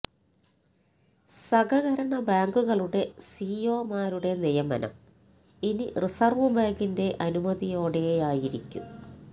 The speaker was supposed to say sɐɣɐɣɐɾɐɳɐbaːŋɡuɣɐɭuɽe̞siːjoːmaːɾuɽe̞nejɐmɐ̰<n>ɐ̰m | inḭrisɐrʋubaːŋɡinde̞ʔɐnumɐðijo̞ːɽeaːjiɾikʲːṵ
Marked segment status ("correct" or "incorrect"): correct